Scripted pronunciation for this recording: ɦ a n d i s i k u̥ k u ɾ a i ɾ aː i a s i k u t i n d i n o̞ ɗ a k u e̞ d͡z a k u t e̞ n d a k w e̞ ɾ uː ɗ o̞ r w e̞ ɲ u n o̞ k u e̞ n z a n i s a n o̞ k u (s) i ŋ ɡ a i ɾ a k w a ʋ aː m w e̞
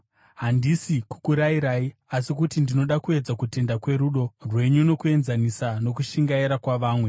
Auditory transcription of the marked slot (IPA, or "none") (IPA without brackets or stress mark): ʃ